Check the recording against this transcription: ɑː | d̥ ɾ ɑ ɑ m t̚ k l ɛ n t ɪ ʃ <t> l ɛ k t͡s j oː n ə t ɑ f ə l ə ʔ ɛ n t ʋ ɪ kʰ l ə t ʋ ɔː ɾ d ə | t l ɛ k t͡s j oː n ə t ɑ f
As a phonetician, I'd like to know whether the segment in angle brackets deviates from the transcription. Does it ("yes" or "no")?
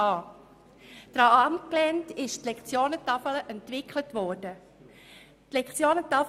no